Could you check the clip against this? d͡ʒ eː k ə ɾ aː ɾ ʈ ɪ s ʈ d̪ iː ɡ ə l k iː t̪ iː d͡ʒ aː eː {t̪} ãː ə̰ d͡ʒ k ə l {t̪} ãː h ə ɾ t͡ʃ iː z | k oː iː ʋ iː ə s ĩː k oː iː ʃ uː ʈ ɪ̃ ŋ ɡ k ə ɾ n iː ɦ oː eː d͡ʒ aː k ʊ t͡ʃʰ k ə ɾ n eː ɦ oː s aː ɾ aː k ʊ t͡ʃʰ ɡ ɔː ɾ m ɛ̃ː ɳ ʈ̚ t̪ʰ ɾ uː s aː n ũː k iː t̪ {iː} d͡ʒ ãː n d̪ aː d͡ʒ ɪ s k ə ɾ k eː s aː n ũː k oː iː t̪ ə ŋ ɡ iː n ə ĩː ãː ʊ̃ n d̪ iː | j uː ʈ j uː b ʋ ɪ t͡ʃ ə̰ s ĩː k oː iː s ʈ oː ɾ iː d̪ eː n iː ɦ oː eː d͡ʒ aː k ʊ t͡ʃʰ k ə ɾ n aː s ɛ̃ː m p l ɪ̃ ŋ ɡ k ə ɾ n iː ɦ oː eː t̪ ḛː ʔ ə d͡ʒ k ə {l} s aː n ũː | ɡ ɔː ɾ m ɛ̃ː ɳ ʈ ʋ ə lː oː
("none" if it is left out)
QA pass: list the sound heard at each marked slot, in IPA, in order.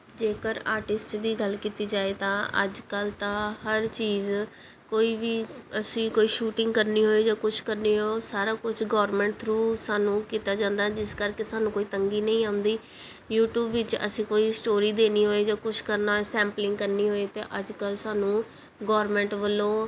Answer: t̪, t̪, aː, l

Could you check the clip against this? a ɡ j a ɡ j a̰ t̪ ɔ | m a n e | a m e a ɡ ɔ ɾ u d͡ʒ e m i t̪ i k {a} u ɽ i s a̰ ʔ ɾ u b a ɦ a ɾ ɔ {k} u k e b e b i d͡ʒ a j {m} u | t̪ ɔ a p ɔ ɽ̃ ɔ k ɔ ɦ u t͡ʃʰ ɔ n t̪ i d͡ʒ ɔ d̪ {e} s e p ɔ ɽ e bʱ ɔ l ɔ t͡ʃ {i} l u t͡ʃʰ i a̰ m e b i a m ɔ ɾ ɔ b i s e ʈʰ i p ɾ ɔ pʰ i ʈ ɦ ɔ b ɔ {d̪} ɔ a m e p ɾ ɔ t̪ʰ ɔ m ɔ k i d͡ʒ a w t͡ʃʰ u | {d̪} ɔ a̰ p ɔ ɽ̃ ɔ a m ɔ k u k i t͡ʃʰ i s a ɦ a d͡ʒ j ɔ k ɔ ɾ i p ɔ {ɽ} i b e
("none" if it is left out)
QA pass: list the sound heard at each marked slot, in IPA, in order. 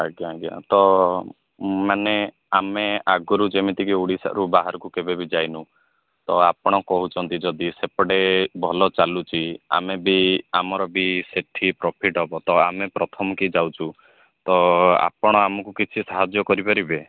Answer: i, k, n, i, a, t̪, t̪, ɾ

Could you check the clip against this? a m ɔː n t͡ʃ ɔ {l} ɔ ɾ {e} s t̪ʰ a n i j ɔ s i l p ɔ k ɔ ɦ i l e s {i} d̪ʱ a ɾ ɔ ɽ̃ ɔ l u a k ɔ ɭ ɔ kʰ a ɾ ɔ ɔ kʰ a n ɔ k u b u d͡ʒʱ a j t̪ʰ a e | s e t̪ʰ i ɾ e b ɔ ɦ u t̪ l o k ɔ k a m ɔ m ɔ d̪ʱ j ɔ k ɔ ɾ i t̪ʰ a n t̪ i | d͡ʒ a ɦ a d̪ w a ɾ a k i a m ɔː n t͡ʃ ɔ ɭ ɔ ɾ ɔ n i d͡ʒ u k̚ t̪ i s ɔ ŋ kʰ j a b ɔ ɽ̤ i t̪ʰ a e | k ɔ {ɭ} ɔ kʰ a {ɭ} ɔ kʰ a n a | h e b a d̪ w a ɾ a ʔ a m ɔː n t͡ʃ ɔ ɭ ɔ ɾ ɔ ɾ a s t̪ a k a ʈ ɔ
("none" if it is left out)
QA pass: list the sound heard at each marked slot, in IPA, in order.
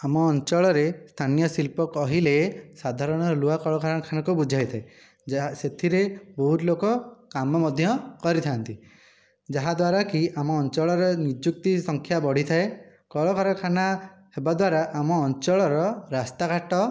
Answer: ɭ, e, a, ɭ, ɾ

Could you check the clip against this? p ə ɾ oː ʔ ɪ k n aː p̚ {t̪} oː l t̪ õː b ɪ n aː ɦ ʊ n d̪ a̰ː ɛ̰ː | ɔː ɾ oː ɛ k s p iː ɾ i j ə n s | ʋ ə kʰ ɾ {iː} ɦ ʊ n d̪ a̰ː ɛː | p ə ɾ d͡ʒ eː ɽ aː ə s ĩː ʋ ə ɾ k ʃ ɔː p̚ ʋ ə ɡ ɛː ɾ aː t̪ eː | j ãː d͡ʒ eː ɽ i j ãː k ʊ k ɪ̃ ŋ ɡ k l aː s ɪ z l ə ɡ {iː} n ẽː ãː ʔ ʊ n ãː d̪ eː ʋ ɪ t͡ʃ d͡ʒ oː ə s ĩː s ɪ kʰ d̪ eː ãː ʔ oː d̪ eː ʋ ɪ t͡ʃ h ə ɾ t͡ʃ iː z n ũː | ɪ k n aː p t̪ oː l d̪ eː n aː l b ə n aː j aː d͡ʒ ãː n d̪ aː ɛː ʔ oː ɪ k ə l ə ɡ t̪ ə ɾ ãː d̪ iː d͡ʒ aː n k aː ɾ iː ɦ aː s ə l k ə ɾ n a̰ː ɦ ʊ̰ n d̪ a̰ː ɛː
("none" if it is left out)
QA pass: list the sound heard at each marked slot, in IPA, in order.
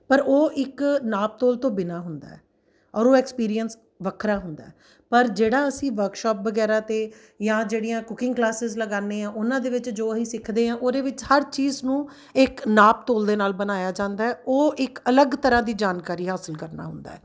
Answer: t̪, aː, aː

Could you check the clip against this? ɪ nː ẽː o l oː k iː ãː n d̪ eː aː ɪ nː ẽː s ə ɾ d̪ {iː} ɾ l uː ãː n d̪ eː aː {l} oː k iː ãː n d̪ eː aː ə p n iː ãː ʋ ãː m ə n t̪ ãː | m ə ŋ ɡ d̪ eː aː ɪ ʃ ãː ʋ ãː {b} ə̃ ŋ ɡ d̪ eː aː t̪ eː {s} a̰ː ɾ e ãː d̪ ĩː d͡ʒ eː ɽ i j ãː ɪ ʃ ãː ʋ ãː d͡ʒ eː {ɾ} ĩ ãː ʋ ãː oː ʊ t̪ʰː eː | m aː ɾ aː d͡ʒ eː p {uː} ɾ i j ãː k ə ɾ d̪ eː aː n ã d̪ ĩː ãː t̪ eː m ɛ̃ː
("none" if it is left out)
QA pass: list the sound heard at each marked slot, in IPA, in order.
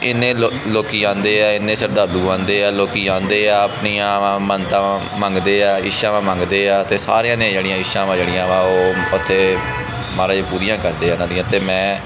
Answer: aː, l, m, s, ɽ, uː

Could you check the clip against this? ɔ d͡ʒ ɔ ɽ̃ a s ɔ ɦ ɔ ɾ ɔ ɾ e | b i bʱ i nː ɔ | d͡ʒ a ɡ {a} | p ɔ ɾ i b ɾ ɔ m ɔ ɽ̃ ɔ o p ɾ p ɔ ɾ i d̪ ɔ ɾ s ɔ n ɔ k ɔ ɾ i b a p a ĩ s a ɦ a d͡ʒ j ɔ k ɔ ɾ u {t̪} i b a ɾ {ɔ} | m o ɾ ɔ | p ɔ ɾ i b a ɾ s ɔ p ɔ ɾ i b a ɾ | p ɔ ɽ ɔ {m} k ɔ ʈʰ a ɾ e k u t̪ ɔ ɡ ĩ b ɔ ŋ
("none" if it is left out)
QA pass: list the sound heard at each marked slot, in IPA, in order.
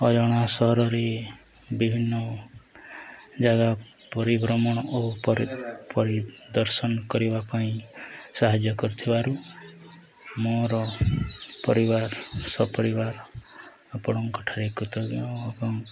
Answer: a, t̪ʰ, u, ŋ

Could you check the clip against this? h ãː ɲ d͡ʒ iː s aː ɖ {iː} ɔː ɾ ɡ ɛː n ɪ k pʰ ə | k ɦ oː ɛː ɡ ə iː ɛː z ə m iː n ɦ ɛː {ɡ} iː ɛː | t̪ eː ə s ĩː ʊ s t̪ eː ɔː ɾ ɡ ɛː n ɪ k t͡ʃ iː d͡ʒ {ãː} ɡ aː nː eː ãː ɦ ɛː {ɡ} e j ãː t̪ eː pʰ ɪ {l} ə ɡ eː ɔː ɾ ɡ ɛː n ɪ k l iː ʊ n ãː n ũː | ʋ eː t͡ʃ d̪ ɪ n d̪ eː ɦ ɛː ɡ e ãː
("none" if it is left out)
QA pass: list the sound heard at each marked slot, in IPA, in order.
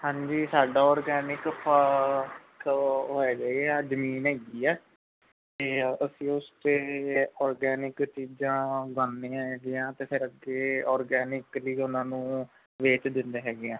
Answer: aː, ɡ, ãː, ɡ, ɾ

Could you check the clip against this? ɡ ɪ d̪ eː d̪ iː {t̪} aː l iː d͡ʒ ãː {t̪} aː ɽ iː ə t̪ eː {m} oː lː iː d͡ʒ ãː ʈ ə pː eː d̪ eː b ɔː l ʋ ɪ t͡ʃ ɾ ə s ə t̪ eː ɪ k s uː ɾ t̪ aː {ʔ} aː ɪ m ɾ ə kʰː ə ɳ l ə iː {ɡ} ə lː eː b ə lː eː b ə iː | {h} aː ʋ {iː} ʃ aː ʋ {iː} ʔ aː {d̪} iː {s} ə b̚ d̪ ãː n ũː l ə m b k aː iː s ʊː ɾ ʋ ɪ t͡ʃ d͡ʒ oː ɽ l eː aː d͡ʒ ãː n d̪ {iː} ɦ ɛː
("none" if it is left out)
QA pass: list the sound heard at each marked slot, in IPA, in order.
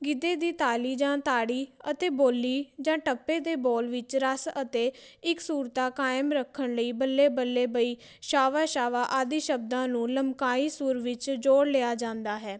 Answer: t̪, t̪, b, k, b, ʃ, aː, aː, d̪, ʃ, aː

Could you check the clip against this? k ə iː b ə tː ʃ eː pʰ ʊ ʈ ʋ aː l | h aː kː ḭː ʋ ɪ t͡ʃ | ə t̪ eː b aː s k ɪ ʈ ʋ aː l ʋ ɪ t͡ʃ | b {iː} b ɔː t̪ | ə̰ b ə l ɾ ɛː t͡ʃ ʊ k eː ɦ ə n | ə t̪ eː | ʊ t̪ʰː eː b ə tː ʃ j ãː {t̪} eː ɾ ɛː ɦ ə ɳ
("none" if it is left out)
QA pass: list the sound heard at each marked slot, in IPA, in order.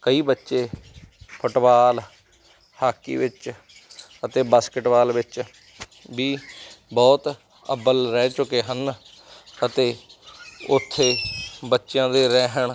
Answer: iː, d̪

